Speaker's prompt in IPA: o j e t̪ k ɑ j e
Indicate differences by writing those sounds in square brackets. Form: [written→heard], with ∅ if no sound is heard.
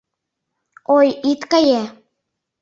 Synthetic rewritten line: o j [e→i] t̪ k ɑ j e

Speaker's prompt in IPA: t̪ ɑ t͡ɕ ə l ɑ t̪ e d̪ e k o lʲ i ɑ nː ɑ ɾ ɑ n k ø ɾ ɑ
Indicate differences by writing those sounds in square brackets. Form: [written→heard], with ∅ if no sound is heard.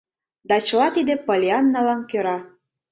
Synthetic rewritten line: [t̪→d̪] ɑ t͡ɕ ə l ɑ t̪ [e→i] d̪ e [k→p] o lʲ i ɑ nː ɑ [ɾ→l] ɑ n k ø ɾ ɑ

